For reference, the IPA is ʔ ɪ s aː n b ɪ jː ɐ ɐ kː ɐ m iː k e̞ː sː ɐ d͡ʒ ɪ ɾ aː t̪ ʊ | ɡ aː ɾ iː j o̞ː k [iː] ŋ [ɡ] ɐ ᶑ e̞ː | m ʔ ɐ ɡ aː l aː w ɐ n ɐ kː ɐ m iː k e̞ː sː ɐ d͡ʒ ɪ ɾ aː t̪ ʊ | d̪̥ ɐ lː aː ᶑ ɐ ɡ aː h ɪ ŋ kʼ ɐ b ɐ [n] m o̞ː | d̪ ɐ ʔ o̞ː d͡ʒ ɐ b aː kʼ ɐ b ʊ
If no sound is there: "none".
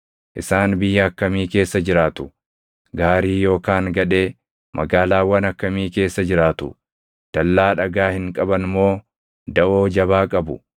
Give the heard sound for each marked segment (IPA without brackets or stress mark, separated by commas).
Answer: aː, ɡ, n